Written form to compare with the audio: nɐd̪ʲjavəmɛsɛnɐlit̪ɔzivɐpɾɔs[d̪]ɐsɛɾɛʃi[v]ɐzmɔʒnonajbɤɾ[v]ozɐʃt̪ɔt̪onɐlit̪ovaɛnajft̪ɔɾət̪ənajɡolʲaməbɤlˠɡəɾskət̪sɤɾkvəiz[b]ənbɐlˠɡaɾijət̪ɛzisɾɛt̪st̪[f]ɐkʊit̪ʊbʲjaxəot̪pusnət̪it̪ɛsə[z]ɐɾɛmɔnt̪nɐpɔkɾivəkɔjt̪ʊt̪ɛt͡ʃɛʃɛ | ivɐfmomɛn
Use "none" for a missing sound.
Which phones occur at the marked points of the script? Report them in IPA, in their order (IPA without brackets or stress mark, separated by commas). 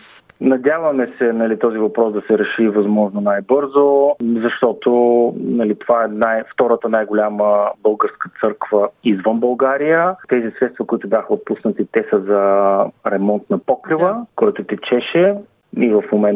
d̪, v, z, v, v, z